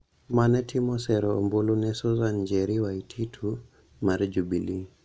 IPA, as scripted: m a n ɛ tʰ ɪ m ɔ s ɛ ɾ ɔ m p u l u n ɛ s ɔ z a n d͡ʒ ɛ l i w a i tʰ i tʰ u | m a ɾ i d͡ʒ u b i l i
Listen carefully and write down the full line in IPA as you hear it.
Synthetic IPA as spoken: m a n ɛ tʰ i m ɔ s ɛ ɾ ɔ m b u l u n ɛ s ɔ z a n d͡ʒ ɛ ɾ i w a i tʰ i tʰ u | m a ɾ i d͡ʒ u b i l i

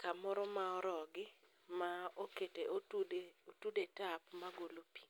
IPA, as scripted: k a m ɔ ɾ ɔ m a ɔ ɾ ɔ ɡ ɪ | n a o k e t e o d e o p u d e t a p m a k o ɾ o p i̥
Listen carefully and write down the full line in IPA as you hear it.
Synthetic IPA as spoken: k a m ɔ ɾ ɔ m a ɔ ɾ ɔ ɡ ɪ | m a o k e t e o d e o t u d e t a p m a ɡ o l o p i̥

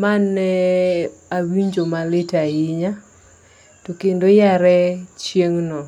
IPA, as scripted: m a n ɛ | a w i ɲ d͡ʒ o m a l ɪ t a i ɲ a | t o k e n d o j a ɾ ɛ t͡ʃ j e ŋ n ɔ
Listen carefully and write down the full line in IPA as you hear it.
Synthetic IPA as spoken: m a n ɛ | a w i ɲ d͡ʒ o m a l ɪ t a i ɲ a | t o k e n d o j a ɾ ɛ t͡ʃ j e ŋ n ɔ

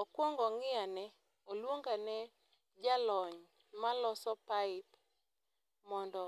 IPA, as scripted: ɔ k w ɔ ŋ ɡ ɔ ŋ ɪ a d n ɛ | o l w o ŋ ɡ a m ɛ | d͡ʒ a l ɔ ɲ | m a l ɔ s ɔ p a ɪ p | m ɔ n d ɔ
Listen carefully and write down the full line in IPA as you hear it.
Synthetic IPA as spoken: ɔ k w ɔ ŋ ɡ ɔ ŋ ɪ a n ɛ | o l w o ŋ ɡ a n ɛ | d͡ʒ a l ɔ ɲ | m a l ɔ s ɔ p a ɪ p | m ɔ n d ɔ

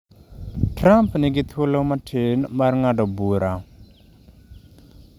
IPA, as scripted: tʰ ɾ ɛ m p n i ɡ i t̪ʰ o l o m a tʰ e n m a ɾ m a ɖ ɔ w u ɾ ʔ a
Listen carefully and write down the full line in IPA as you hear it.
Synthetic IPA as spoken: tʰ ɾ a m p n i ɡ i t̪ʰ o l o m a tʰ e n m a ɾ ŋ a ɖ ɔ b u ɾ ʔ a

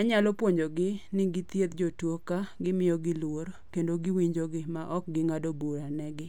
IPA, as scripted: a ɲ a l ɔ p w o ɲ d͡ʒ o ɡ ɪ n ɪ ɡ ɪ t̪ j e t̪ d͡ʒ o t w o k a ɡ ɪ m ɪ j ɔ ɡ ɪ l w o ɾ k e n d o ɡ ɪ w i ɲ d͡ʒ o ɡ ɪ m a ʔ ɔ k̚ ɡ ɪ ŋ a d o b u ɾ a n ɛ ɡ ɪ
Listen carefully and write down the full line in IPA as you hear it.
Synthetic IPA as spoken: a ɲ a l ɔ p w o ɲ d͡ʒ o ɡ ɪ n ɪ ɡ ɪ t̪ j e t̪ d͡ʒ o t w o k a ɡ ɪ m ɪ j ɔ ɡ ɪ l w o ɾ k e n d o ɡ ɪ w i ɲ d͡ʒ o ɡ ɪ m a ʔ ɔ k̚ ɡ ɪ ŋ a d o b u ɾ a n ɛ ɡ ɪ

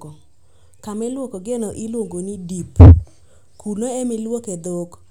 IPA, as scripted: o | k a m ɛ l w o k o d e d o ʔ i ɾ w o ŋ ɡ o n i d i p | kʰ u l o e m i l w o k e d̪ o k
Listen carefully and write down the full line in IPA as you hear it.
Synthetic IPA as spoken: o | k a m ɛ l w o k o ɡ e n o ʔ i l w o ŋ ɡ o n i d i p | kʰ u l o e m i l w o k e d̪ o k

